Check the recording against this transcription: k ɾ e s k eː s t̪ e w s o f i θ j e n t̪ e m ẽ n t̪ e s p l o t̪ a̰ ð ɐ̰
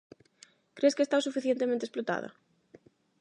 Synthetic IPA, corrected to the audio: k ɾ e s k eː s t̪ a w s u f i θ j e n t̪ e m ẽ n t̪ e s p l o t̪ a̰ ð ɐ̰

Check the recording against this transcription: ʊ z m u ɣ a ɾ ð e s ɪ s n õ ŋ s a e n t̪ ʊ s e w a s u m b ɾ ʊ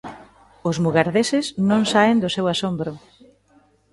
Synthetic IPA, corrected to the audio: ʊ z m u ɣ a ɾ ð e s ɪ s n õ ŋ s a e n d̪ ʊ s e w a s o m b ɾ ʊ

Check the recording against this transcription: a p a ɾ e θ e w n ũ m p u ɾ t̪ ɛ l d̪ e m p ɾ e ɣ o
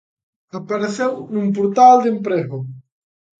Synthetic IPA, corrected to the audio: a p a ɾ e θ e w n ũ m p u ɾ t̪ a l d̪ e m p ɾ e ɣ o

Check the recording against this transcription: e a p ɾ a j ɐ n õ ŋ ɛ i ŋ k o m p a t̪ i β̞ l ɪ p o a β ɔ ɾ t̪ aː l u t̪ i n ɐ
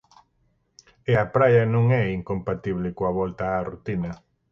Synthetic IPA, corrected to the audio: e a p ɾ a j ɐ n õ ŋ ɛ i ŋ k o m p a t̪ i β̞ l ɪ k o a β ɔ l t̪ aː r u t̪ i n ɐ

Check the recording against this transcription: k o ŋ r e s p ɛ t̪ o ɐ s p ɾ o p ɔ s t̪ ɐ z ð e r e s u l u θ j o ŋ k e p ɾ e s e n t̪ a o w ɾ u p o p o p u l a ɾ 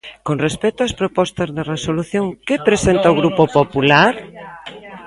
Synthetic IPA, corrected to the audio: k o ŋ r e s p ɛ t̪ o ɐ s p ɾ o p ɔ s t̪ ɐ z ð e r e s o l u θ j o ŋ k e p ɾ e s e n t̪ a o ɣ ɾ u p o p o p u l a ɾ

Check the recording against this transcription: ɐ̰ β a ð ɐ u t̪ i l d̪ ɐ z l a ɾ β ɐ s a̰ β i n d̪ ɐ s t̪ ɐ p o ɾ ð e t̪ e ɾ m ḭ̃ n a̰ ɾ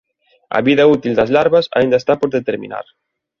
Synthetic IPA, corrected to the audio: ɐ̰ β i ð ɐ u t̪ i l d̪ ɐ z l a ɾ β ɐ s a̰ i n d̪ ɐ s t̪ a p o ɾ ð e t̪ e ɾ m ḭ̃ n a̰ ɾ

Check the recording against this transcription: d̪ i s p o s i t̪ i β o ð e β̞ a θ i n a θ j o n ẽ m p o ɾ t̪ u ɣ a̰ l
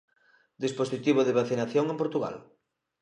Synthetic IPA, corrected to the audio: d̪ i s p o s i t̪ i β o ð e β̞ a θ i n a θ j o ŋ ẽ m p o ɾ t̪ u ɣ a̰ l

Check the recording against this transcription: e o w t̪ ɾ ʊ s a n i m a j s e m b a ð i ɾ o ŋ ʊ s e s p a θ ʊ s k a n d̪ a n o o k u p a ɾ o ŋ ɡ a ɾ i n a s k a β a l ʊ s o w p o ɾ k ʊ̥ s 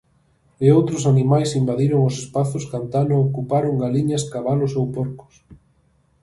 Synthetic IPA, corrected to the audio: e o w t̪ ɾ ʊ s a n i m a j s i m b a ð i ɾ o ŋ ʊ s e s p a θ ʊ s k a n t̪ a n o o k u p a ɾ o ŋ ɡ a l i ɲ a s k a β a l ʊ s o w p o ɾ k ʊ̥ s

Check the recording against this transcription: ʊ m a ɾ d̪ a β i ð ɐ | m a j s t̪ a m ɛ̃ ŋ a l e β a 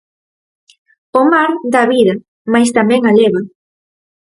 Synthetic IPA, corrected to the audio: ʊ m a ɾ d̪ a β i ð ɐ | m a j s t̪ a m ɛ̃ ŋ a l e β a

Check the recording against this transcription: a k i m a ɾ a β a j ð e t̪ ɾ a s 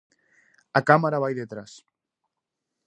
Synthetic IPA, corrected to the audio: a k a m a ɾ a β a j ð e t̪ ɾ a s

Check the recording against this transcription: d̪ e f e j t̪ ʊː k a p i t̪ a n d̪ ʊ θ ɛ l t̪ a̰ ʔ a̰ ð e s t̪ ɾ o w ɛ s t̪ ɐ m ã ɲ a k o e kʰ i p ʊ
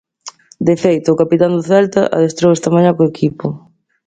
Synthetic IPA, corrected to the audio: d̪ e f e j t̪ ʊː k a p i t̪ a n d̪ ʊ θ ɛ l t̪ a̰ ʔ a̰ ð e s t̪ ɾ o w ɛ s t̪ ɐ m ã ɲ a k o e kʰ i p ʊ

